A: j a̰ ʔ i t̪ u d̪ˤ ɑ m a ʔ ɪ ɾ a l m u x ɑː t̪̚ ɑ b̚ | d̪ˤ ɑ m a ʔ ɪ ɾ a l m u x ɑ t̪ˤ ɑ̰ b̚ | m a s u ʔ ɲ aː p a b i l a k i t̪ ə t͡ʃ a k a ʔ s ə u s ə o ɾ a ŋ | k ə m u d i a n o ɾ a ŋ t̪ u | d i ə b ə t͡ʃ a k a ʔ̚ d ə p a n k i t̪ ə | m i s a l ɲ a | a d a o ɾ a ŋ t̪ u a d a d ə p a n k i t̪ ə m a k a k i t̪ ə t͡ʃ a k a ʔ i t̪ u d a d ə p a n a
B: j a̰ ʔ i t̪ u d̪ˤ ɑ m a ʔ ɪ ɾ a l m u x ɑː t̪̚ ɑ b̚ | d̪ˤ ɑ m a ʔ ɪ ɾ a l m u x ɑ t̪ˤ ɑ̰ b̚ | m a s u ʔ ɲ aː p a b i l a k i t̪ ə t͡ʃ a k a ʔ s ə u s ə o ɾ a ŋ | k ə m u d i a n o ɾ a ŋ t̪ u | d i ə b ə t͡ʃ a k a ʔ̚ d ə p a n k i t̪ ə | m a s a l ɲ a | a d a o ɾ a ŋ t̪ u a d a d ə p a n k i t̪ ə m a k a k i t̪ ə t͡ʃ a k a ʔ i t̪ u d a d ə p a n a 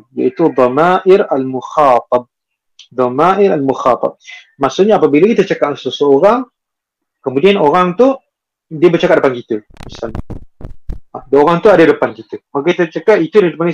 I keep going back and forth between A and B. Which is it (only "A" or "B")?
A